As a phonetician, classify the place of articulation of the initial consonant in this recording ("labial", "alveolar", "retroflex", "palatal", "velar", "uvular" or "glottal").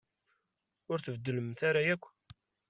alveolar